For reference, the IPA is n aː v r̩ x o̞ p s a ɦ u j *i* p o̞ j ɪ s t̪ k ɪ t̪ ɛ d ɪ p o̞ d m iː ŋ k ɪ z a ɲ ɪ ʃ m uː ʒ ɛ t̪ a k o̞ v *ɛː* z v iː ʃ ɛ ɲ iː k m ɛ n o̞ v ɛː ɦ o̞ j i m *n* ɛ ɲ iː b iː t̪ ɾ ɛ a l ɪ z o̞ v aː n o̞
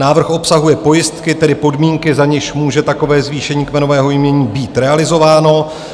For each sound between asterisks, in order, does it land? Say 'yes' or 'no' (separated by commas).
no, yes, no